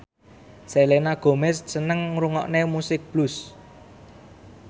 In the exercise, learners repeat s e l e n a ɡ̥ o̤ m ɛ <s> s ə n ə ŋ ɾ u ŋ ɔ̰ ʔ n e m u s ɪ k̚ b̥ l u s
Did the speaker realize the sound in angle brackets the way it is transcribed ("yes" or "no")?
yes